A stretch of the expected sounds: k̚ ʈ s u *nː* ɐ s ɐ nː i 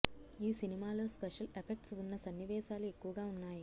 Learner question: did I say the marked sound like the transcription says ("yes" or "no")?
yes